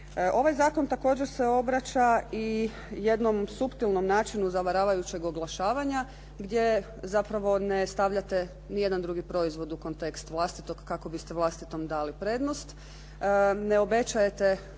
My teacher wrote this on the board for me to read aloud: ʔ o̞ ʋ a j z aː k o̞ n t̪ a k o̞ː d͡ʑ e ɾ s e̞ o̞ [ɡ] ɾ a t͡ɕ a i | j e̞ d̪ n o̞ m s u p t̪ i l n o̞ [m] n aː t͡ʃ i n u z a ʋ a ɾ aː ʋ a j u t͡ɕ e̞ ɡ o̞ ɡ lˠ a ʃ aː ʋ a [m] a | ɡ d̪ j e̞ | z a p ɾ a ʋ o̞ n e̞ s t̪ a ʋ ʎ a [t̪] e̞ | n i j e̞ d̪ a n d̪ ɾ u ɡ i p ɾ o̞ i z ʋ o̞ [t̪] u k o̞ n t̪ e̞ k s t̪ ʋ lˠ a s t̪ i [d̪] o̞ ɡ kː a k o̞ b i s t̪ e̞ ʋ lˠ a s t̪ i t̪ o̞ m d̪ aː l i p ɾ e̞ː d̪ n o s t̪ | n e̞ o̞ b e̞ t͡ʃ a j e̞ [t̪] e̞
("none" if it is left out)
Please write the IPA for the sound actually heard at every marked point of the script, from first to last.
b, m, ɲ, t̪, d̪, t̪, t̪

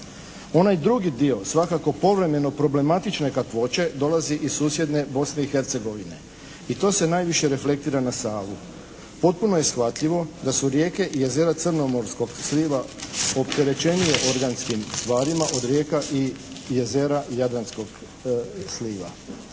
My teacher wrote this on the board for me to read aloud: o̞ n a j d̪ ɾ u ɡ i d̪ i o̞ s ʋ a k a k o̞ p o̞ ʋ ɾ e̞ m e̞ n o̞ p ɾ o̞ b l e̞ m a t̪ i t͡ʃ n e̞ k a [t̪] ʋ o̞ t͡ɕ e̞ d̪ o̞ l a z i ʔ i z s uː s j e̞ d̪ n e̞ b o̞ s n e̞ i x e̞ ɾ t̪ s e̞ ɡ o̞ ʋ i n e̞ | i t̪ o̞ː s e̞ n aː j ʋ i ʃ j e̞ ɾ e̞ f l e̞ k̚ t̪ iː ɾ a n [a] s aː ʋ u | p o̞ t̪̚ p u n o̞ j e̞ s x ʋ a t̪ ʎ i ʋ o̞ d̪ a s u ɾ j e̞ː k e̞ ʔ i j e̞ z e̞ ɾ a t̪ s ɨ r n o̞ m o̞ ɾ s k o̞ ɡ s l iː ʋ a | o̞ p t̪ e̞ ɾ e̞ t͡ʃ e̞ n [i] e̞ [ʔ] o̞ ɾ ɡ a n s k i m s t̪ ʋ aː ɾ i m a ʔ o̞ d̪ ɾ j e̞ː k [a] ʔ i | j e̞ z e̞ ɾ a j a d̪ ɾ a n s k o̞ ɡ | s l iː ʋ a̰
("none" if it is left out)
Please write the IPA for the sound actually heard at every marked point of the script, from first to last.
t̪, a, i, ʔ, a

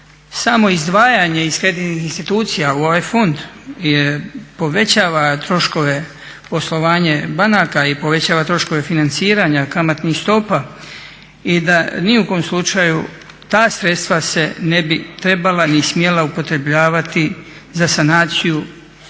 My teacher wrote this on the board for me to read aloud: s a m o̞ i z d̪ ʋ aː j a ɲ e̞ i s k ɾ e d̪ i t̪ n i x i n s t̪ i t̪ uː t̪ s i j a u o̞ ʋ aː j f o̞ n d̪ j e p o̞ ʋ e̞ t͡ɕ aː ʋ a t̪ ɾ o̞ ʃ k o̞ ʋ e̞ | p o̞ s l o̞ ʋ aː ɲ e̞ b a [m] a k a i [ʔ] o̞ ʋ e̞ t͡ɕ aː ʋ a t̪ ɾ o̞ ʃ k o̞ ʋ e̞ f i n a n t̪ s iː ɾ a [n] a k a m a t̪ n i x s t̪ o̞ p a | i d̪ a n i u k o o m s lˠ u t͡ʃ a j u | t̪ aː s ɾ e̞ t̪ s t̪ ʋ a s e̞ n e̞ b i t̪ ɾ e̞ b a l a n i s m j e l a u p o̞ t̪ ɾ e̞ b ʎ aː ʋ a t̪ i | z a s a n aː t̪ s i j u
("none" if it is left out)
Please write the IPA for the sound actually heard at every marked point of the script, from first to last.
n, p, ɲ

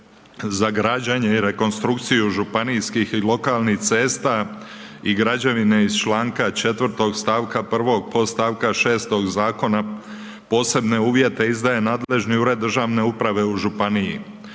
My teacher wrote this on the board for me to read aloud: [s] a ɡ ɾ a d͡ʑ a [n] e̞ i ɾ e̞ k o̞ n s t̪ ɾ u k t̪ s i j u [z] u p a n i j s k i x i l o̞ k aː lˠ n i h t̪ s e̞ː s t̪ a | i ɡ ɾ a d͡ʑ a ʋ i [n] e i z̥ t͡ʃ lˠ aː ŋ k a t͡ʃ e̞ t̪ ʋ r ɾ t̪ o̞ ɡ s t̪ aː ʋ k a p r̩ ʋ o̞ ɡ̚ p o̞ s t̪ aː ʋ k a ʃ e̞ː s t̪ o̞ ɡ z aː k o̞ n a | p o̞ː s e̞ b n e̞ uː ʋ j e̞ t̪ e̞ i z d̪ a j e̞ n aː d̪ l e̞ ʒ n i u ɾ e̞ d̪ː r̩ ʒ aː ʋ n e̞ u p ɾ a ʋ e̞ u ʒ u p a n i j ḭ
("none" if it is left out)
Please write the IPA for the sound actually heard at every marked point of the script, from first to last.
z, ɲ, ʒ, n

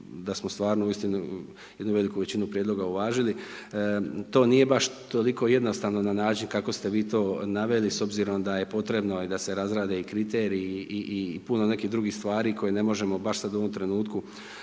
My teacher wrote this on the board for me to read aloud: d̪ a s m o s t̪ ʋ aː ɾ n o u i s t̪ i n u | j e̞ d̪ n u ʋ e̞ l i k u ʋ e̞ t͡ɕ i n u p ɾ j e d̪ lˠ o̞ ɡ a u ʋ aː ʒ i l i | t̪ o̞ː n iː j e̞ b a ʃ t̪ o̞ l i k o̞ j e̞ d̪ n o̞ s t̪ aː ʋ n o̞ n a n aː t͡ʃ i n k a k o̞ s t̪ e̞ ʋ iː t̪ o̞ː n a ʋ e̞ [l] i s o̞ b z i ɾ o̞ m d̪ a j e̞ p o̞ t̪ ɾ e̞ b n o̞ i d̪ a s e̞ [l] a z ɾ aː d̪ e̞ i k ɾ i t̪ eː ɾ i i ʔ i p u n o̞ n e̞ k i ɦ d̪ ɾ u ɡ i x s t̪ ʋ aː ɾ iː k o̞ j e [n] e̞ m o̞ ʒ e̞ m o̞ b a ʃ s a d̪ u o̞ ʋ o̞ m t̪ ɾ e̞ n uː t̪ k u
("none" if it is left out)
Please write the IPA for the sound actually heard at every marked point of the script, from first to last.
l, ɾ, n

